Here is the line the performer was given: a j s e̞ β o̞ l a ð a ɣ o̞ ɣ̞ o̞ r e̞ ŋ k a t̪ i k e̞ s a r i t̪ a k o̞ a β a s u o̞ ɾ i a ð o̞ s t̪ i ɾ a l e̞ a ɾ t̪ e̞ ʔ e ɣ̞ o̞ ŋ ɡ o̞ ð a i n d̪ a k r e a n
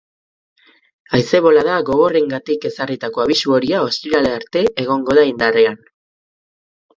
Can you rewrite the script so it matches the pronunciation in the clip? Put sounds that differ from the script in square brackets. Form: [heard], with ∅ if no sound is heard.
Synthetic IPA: a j s e̞ β o̞ l a ð a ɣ o̞ ɣ̞ o̞ r e̞ ŋ [ɡ] a t̪ i k e̞ s a r i t̪ a k o̞ a β [i] s u o̞ ɾ i a [∅] o̞ s t̪ i ɾ a l e̞ a ɾ t̪ e̞ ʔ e ɣ̞ o̞ ŋ ɡ o̞ ð a i n d̪ a [∅] r e a n